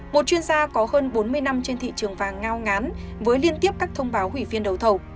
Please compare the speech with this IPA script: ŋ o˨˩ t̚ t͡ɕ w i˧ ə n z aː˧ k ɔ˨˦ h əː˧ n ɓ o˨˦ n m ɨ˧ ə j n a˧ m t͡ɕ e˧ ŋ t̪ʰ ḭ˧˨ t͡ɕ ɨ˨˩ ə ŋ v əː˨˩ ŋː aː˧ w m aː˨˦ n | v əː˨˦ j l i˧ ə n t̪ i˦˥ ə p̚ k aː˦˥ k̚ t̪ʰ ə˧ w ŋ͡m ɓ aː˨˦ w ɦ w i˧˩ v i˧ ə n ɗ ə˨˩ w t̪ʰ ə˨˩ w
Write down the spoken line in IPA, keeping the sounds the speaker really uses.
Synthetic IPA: m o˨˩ t̚ t͡ɕ w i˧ ə n z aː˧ k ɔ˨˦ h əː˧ n ɓ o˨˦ n m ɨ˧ ə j n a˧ m t͡ɕ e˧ n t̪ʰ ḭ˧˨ t͡ɕ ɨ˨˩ ə ŋ v aː˨˩ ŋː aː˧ w ŋ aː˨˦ n | v əː˨˦ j l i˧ ə n t̪ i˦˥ ə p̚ k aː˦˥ k̚ t̪ʰ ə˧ w ŋ͡m ɓ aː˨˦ w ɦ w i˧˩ v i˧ ə n ɗ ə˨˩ w t̪ʰ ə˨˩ w

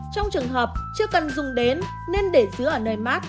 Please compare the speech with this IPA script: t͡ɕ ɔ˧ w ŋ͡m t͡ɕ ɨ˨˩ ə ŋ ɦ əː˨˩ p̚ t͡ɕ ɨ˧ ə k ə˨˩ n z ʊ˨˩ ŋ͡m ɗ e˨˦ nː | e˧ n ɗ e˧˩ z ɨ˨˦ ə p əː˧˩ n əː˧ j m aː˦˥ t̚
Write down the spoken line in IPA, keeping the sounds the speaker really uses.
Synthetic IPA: t͡ɕ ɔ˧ w ŋ͡m t͡ɕ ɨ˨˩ ə ŋ ɦ əː˨˩ p̚ t͡ɕ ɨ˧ ə k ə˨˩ n z ʊ˨˩ ŋ͡m ɗ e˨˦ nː | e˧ n ɗ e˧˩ z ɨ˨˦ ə ʔ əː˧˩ n əː˨˩ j m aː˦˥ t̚

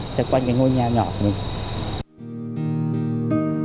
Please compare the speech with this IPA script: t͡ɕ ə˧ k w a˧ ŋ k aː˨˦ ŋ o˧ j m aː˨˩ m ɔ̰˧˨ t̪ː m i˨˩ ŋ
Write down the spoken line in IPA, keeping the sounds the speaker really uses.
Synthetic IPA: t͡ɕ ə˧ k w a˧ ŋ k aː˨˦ ŋ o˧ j ɲ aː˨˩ ɲ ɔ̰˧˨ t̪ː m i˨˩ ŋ

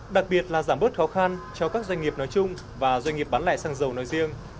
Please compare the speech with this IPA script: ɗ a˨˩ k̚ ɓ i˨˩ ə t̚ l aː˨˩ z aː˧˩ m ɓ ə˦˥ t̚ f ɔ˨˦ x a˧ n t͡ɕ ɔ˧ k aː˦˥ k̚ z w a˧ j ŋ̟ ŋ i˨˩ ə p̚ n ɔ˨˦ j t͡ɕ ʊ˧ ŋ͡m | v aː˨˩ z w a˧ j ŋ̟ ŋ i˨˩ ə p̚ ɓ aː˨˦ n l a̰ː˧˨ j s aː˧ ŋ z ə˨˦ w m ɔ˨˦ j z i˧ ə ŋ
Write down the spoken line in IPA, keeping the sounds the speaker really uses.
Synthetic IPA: ɗ a˨˩ k̚ ɓ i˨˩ ə t̚ l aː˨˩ z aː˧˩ m ɓ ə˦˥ t̚ x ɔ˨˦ x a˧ n t͡ɕ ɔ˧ k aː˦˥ k̚ z w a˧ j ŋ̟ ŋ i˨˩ ə p̚ n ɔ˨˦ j t͡ɕ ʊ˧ ŋ͡m | v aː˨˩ z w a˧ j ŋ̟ ŋ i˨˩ ə p̚ ɓ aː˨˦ n l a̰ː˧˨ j s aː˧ ŋ z ə˨˩ w n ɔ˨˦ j z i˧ ə ŋ

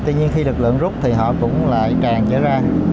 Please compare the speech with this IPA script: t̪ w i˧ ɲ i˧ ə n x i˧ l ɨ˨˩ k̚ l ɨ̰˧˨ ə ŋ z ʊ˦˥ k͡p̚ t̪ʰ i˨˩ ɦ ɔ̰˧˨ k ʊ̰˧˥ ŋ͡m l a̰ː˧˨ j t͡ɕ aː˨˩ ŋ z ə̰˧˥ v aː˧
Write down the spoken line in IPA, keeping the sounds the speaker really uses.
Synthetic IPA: t̪ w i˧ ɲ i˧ ə n x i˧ l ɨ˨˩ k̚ l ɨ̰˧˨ ə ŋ z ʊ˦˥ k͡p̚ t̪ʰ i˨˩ ɦ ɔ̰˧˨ k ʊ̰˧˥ ŋ͡m l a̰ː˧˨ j t͡ɕ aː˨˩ ŋ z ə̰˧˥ z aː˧

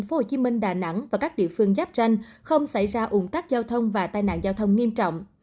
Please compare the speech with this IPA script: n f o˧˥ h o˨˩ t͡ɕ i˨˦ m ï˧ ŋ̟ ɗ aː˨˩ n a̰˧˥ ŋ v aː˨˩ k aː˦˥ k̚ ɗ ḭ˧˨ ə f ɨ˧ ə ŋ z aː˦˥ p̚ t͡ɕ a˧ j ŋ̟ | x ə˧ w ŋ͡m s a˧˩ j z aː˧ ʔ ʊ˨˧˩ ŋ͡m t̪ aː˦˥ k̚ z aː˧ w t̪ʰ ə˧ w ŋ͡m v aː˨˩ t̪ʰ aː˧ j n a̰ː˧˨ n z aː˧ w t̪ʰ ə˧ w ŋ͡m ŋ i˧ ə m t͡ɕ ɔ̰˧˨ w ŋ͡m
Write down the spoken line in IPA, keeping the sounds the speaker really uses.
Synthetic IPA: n f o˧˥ h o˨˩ t͡ɕ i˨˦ m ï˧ ŋ̟ ɗ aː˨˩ n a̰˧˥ ŋ v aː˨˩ k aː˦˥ k̚ ɗ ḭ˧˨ ə f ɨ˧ ə ŋ z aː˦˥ p̚ t͡ɕ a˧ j ŋ̟ | x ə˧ w ŋ͡m s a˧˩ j z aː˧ ʔ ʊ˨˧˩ ŋ͡m t̪ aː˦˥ k̚ z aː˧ w t̪ʰ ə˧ w ŋ͡m v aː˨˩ t̪ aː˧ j n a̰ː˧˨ n z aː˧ w t̪ʰ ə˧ w ŋ͡m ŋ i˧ ə m t͡ɕ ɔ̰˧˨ w ŋ͡m

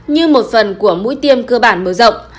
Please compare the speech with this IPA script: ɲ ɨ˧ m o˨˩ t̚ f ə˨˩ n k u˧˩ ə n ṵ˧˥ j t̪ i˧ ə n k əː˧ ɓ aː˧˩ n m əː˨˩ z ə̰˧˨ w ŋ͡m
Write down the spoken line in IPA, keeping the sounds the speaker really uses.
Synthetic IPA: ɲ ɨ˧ m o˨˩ t̚ f ə˨˩ n k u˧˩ ə m ṵ˧˥ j t̪ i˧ ə m k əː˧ ɓ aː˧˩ n m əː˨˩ z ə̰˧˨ w ŋ͡m

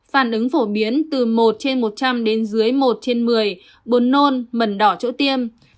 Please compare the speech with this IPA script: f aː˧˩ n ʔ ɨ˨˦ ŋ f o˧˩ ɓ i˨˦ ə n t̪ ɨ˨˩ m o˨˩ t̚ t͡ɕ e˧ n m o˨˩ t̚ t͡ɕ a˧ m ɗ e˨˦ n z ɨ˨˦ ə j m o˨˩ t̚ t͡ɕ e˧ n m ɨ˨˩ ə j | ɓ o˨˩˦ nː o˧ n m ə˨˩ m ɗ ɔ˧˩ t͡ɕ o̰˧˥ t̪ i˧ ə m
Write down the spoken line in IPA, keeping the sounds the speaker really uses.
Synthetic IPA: f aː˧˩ n ʔ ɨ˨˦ ŋ f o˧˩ ɓ i˨˦ ə n t̪ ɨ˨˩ m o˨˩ t̚ t͡ɕ e˧ n m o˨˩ t̚ t͡ɕ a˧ m ɗ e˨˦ n z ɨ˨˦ ə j m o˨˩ t̚ t͡ɕ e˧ n m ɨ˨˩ ə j | ɓ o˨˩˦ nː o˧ n m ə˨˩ n ɗ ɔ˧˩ t͡ɕ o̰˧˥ t̪ i˧ ə m

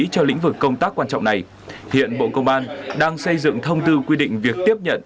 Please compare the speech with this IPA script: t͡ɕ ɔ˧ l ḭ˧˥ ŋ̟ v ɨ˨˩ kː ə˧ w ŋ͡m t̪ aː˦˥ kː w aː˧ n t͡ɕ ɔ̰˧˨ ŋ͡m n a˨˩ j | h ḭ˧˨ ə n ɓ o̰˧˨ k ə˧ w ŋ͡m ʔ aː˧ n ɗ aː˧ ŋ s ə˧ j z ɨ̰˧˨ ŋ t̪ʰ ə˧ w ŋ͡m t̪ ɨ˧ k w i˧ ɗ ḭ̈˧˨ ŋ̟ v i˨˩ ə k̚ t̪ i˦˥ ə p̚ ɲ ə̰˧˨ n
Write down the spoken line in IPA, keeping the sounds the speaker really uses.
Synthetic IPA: t͡ɕ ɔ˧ l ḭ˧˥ ŋ̟ v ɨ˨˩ kː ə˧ w ŋ͡m t̪ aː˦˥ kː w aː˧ n t͡ɕ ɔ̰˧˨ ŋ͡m n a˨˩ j | h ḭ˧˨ ə n ɓ o̰˧˨ k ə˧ w ŋ͡m ʔ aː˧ n ɗ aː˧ ŋ s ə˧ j z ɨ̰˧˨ ŋ t̪ʰ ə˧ w ŋ͡m t̪ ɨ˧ k w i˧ ɗ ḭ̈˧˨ ŋ̟ v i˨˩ ə k̚ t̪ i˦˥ ə p̚ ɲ ə̰˧˨ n

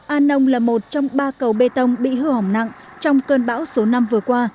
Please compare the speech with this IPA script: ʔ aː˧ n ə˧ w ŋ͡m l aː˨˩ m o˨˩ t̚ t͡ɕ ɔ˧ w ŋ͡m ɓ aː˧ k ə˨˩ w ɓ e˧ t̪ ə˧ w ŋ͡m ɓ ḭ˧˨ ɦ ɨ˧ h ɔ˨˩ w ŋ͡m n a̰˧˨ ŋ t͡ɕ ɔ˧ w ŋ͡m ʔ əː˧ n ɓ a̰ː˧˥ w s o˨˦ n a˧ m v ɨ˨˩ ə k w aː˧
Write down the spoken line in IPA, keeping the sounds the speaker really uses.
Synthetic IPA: ʔ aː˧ n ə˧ w ŋ͡m l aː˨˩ m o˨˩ t̚ t͡ɕ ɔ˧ w ŋ͡m ɓ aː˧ k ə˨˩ w ɓ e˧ t̪ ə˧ w ŋ͡m ɓ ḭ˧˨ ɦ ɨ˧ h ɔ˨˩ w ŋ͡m n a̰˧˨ ŋ t͡ɕ ɔ˧ w ŋ͡m k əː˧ n ɓ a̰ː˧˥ w s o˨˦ n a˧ m v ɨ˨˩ ə k w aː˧

